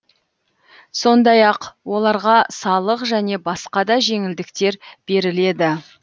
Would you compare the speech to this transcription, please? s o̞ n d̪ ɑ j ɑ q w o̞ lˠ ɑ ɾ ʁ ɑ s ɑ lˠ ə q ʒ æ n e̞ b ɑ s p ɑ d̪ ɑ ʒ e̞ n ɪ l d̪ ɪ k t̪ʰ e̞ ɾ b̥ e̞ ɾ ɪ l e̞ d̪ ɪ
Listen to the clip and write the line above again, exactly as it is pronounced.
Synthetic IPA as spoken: s o̞ n d̪ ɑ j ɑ q w o̞ lˠ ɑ ɾ ʁ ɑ s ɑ lˠ ə q ʒ æ n e̞ b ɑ s q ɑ d̪ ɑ ʒ e̞ ŋ ɪ l d̪ ɪ k t̪ e̞ ɾ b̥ e̞ ɾ ɪ l e̞ d̪ ɪ